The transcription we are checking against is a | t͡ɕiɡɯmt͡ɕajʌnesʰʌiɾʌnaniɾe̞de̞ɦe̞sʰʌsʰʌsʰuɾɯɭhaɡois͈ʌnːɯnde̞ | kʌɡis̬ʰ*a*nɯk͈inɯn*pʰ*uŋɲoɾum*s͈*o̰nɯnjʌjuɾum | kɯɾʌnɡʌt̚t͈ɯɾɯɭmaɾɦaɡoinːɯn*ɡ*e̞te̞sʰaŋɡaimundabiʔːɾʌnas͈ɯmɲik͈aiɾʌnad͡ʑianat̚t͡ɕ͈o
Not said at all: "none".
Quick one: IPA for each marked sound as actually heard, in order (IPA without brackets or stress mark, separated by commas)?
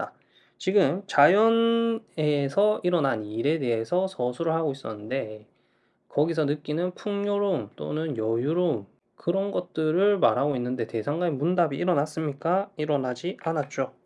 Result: ʌ, pʰ, t͈, d